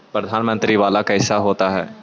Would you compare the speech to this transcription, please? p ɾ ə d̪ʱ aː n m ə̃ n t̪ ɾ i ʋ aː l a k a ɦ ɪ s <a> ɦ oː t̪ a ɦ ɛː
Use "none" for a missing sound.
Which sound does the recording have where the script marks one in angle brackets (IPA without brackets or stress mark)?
a